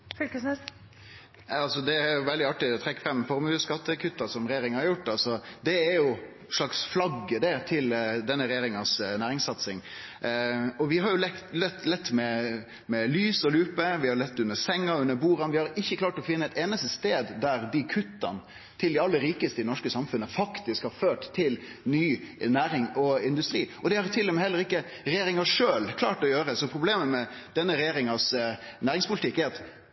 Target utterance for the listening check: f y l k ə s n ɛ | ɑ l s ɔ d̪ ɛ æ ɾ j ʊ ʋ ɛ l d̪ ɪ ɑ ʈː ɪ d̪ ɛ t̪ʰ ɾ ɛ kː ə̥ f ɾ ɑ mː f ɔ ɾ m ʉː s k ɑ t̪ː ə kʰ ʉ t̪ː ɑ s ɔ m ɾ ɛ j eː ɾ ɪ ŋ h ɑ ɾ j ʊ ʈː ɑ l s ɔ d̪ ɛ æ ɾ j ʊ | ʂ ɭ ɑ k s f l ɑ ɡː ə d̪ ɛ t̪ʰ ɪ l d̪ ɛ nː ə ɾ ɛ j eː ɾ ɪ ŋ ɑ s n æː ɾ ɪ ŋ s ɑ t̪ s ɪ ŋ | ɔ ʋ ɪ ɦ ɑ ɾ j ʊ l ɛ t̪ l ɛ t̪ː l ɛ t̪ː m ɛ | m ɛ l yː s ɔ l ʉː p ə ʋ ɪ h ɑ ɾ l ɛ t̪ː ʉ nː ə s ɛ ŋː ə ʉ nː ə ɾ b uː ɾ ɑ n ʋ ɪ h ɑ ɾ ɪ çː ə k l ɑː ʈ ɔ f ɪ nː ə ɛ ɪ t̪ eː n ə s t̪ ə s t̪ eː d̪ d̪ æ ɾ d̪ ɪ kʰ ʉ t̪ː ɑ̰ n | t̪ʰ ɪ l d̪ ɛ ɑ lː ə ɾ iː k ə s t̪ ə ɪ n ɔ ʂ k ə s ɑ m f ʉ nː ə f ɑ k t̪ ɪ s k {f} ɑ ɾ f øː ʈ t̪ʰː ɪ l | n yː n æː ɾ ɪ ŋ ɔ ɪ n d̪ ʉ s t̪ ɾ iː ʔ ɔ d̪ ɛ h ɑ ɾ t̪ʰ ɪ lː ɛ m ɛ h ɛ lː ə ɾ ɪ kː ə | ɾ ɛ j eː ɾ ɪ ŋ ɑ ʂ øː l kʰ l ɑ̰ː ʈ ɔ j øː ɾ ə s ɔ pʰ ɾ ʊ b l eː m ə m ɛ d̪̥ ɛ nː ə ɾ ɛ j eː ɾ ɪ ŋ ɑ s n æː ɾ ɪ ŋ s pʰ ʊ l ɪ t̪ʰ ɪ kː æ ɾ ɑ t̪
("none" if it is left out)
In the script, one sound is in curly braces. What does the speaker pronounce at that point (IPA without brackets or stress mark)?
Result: h